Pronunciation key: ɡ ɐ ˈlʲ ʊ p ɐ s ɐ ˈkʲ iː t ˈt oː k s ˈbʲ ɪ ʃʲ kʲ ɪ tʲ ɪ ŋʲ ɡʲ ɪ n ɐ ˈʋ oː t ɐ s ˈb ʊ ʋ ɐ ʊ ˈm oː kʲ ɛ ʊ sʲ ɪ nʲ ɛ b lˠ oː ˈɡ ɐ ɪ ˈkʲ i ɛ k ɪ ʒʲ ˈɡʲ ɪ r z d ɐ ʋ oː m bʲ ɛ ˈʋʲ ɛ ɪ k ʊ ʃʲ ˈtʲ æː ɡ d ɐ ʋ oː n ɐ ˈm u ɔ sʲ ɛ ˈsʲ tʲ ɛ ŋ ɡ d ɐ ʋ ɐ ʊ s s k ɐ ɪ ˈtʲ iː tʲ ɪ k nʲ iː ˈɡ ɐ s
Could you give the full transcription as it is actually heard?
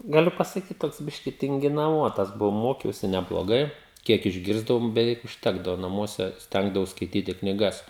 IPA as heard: ɡ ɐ ˈlʲ ʊ p ɐ s ɐ ˈkʲ iː t ˈt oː k s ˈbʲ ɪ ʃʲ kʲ ɪ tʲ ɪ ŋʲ ɡʲ ɪ n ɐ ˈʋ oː t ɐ s ˈb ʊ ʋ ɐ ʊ ˈm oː kʲ ɛ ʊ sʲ ɪ nʲ ɛ b lˠ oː ˈɡ ɐ ɪ ˈkʲ i ɛ k ɪ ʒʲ ˈɡʲ ɪ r z d ɐ ʋ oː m bʲ ɛ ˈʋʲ ɛ ɪ k ʊ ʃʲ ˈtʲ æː ɡ d ɐ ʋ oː n ɐ ˈm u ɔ sʲ ɛ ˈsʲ tʲ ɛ ŋ ɡ d ɐ ʋ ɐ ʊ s s k ɐ ɪ ˈtʲ iː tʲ ɪ k nʲ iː ˈɡ ɐ s